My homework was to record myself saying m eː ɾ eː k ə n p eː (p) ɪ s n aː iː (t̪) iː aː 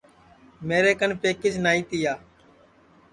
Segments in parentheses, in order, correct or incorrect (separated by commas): incorrect, correct